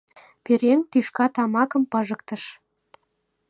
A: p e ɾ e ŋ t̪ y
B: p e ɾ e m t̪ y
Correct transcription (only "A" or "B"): A